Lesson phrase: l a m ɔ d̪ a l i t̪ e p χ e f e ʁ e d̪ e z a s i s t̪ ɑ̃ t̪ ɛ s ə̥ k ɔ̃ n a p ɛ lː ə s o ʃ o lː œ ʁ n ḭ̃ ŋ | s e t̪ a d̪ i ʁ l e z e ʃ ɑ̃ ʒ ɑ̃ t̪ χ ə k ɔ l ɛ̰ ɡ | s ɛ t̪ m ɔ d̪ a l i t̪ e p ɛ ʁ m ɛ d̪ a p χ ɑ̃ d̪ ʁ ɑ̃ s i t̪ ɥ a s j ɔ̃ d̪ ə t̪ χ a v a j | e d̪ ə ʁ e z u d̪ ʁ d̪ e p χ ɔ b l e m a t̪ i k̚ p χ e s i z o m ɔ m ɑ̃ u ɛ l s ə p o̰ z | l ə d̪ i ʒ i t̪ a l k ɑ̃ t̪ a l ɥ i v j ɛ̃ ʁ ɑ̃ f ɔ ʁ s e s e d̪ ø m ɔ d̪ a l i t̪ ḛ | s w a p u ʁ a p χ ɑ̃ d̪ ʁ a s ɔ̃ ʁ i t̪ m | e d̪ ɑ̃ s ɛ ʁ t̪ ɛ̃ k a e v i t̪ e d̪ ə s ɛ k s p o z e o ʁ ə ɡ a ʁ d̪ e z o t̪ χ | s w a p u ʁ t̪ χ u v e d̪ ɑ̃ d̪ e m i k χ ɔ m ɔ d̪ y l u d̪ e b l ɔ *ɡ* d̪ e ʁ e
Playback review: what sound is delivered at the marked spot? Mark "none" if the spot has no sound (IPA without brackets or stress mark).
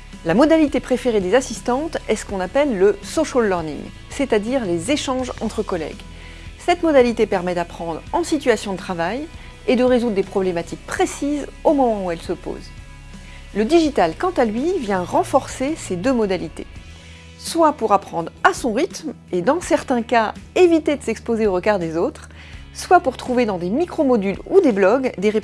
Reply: ɡ